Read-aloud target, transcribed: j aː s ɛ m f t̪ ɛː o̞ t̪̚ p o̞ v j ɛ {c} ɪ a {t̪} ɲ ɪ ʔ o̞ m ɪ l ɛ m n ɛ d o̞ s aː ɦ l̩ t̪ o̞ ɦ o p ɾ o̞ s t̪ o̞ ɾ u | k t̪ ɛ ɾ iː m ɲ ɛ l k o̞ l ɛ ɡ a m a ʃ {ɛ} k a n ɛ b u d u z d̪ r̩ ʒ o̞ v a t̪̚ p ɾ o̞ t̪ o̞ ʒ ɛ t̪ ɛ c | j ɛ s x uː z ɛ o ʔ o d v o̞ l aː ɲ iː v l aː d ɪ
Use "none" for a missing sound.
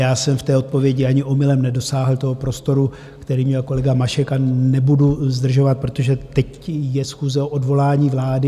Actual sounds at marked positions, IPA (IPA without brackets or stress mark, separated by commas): ɟ, none, ɛ